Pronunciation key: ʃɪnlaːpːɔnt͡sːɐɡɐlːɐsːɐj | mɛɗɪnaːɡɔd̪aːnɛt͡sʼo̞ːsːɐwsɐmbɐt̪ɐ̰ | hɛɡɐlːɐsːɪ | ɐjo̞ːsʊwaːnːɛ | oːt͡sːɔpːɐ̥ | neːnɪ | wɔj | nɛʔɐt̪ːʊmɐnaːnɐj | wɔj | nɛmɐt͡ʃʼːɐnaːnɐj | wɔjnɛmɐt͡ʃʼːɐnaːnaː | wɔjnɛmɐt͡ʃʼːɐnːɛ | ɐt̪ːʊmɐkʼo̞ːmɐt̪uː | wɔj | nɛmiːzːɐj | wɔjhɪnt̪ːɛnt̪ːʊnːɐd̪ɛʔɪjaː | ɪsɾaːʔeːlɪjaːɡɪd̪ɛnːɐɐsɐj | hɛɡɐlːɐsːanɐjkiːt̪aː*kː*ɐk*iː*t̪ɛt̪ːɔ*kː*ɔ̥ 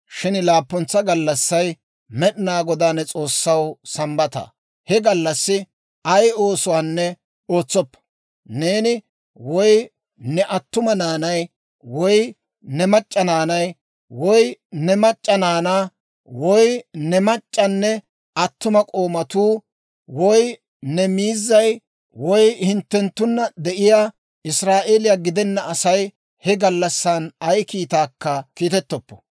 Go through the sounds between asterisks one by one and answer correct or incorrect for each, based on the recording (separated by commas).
correct, correct, incorrect